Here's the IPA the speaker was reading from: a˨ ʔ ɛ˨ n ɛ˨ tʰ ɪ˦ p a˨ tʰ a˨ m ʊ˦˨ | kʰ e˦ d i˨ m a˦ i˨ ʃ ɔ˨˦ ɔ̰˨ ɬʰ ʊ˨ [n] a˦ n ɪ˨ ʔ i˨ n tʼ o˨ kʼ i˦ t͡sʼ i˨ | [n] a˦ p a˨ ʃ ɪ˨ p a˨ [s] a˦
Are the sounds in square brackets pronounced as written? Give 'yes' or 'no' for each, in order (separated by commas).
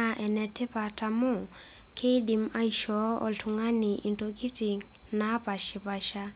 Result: no, yes, no